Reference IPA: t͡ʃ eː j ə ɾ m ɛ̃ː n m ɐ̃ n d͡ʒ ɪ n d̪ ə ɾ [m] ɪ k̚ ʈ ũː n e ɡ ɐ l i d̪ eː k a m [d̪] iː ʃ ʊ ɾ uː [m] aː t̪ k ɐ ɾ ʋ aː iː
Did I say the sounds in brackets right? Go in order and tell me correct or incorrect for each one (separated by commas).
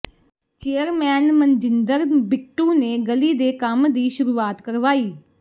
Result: incorrect, correct, incorrect